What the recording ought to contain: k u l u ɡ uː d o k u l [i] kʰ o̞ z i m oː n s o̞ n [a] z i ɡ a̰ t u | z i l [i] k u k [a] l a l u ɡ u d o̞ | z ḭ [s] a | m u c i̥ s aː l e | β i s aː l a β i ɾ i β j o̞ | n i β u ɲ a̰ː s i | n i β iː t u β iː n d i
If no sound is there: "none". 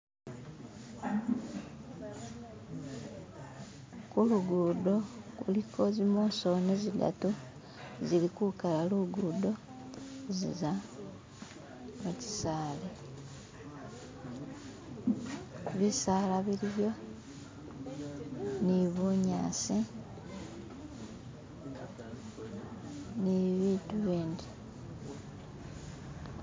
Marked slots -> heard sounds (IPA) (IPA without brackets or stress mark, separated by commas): i, e, i, a, z